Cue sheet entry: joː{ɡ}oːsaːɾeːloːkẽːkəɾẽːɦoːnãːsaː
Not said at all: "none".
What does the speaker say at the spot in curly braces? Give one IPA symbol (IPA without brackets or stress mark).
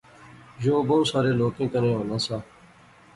b